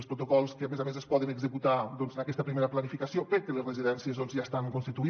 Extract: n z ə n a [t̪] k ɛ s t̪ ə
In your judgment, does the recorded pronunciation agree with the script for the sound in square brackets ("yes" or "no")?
no